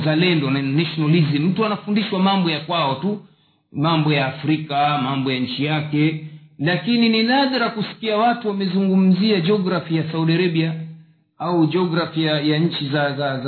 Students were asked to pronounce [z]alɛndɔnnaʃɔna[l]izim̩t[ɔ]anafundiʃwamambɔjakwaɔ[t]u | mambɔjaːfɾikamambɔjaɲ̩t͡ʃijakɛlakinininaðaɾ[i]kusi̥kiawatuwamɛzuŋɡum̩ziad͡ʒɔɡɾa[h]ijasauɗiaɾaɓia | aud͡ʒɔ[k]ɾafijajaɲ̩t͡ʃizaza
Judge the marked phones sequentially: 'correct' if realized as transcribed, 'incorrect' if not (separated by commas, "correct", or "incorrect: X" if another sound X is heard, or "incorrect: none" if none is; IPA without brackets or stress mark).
correct, correct, incorrect: u, correct, incorrect: a, incorrect: f, incorrect: ɡ